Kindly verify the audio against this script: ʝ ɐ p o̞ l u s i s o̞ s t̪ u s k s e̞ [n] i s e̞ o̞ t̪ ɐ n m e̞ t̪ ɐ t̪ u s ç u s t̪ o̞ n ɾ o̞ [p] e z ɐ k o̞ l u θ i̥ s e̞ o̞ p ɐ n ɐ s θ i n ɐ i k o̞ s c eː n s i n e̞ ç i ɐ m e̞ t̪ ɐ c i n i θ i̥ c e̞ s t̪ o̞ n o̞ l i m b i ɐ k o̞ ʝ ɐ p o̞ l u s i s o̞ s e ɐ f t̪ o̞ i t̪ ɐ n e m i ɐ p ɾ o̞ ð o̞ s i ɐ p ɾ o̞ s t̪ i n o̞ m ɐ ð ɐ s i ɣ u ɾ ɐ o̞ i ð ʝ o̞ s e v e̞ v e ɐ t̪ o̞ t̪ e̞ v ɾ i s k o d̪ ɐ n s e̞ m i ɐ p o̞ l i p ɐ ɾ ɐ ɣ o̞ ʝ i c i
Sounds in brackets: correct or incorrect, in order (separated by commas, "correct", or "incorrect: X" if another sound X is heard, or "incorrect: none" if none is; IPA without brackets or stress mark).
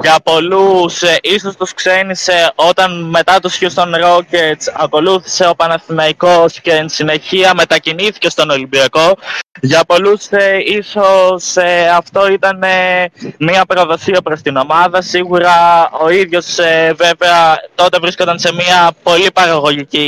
correct, incorrect: c